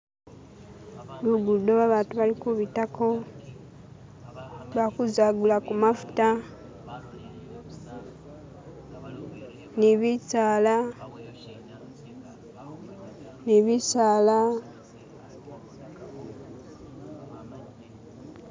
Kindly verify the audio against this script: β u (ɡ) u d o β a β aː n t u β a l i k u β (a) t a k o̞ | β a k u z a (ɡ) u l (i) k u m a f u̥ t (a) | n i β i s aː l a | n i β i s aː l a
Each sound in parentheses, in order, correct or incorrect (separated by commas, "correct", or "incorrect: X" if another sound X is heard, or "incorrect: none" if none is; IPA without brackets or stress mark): correct, incorrect: i, correct, incorrect: a, correct